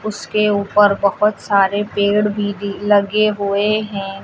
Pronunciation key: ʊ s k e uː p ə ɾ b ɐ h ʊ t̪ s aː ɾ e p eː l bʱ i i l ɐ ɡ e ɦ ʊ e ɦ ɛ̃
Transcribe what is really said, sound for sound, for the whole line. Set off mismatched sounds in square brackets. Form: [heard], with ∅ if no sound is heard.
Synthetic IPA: ʊ s k e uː p ə ɾ b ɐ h ʊ t̪ s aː ɾ e p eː [ɽ] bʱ i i l ɐ ɡ e ɦ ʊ e ɦ ɛ̃